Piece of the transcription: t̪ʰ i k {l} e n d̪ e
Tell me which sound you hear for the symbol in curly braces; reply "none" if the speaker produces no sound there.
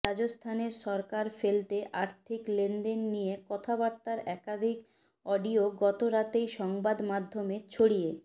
l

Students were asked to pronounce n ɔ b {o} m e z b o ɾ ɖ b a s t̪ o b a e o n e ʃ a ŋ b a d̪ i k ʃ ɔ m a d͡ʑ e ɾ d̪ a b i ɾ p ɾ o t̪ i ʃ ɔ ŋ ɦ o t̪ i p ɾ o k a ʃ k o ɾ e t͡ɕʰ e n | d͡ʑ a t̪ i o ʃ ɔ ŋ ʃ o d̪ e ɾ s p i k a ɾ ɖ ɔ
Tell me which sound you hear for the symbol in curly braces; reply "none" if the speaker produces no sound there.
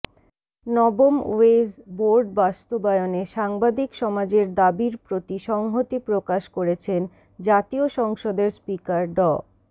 o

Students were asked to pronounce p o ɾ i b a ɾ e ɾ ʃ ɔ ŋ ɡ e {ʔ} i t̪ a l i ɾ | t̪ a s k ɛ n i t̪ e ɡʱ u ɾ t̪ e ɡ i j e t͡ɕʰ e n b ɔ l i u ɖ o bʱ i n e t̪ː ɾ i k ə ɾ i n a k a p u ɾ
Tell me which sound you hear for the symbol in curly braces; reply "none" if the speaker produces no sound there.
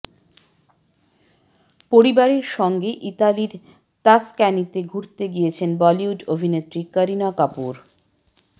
ʔ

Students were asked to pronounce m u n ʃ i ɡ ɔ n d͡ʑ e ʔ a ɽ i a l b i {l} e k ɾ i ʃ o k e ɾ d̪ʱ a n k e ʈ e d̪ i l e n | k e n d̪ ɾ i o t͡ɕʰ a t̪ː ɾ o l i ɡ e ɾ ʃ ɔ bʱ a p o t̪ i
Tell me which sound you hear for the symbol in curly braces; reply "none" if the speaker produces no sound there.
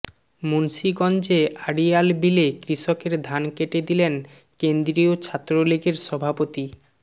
l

